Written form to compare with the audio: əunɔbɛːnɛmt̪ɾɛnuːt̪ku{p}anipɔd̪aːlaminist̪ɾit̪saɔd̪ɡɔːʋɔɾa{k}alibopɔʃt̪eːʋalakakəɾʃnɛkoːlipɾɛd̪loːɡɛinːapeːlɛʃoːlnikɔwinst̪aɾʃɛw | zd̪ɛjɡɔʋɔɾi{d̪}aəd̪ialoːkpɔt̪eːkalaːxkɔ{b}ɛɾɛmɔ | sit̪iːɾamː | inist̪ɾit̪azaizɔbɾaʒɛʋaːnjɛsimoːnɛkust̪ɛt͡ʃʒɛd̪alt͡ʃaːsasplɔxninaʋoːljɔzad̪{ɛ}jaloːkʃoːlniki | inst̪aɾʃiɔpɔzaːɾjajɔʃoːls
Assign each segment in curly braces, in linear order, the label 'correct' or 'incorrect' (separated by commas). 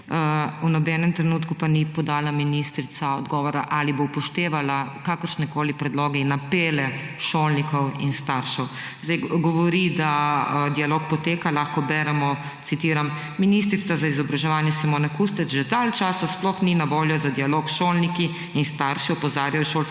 correct, incorrect, correct, correct, incorrect